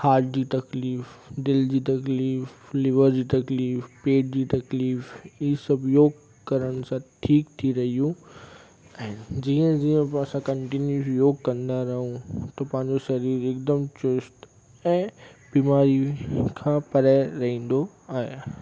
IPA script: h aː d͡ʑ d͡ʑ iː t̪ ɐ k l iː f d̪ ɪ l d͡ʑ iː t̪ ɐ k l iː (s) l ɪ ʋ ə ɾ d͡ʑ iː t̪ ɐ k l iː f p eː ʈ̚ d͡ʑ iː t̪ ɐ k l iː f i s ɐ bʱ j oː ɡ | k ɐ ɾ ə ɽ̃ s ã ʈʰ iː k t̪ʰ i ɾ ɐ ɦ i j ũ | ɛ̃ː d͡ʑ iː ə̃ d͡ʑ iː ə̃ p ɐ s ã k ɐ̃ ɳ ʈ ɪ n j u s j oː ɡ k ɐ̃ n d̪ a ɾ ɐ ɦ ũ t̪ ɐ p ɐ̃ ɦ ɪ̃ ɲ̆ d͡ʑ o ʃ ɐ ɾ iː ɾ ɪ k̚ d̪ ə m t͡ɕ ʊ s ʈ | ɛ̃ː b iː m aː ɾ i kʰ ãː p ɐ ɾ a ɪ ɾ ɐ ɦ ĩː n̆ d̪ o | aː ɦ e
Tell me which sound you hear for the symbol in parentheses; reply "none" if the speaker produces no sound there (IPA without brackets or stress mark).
f